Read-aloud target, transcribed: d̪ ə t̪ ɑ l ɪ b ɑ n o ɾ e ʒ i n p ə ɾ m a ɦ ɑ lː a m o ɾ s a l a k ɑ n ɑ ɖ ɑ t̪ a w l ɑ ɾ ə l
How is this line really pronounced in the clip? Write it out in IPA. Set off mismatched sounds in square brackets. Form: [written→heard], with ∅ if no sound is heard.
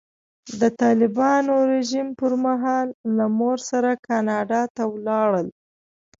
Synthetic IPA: d̪ ə t̪ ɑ l ɪ b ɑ n o ɾ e ʒ i [n→m] p ə ɾ m a ɦ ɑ lː a m o ɾ s a [l→ɾ] a k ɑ n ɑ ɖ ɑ t̪ a w l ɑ [ɾ→ɽ] ə l